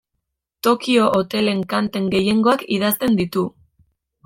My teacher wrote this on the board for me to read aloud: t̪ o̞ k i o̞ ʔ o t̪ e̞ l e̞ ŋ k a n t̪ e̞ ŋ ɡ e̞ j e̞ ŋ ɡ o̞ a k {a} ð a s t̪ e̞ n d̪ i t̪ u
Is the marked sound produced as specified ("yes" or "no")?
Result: no